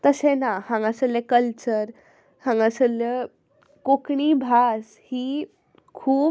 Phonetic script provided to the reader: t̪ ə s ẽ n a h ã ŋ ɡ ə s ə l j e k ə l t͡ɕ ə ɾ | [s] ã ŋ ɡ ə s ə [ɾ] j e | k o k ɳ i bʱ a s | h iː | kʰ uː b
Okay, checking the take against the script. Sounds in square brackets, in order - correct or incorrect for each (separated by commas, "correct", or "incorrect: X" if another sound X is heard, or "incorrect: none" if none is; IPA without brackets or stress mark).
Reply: incorrect: h, incorrect: l